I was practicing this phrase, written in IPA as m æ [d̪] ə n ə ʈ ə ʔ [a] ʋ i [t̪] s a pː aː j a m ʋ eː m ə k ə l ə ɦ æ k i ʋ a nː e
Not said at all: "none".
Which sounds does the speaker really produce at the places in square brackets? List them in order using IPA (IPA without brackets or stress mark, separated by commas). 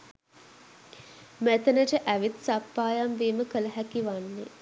t̪, æ, t̪